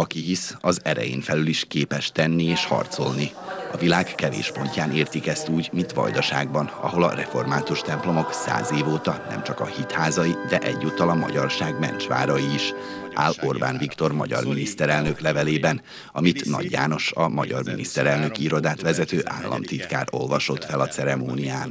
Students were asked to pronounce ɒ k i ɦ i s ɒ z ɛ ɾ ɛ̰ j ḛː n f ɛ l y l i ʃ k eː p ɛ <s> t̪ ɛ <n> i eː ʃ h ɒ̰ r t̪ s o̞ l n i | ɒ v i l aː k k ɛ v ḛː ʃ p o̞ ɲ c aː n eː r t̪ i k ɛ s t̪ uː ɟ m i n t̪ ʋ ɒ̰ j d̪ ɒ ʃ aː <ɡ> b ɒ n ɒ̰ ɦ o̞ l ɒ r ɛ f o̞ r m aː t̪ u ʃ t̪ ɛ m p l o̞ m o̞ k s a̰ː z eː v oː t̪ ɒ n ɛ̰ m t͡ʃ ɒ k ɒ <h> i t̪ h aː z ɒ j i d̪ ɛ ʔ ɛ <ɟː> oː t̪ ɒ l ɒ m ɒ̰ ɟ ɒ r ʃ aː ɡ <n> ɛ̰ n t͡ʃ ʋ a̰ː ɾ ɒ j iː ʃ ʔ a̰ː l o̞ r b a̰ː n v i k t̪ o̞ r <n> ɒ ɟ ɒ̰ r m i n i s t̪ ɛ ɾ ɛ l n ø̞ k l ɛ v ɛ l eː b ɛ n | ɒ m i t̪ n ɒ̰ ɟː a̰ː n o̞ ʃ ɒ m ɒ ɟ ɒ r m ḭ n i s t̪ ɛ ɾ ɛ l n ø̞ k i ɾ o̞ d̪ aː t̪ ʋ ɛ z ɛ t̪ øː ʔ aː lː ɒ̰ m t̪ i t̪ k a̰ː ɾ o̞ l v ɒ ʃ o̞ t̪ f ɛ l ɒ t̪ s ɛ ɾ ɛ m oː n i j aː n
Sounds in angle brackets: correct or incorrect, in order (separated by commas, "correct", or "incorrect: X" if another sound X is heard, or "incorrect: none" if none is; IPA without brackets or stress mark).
incorrect: ʃ, incorrect: nː, correct, correct, correct, incorrect: m, incorrect: m